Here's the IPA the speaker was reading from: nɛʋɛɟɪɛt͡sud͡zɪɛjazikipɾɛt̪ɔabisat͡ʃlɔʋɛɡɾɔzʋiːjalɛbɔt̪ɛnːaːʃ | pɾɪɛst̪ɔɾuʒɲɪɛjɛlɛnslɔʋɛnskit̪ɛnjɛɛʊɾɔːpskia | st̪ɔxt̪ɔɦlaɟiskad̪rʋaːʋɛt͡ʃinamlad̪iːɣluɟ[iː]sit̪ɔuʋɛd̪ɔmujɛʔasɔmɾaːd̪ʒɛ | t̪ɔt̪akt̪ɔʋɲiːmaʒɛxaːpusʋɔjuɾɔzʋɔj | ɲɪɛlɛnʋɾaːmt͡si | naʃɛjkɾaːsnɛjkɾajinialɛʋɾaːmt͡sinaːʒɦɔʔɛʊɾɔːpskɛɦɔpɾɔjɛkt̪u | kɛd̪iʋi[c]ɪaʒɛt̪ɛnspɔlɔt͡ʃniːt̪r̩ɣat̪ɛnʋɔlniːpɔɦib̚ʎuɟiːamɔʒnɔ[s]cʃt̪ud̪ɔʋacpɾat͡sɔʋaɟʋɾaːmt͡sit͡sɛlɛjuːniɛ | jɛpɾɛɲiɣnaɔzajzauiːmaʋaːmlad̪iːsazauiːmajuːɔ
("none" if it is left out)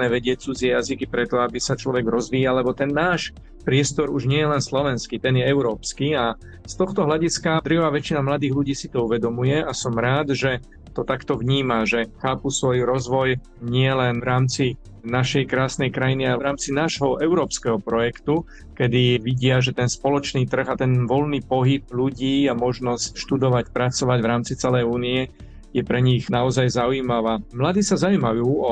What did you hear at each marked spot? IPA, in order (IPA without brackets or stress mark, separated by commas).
iː, ɟ, s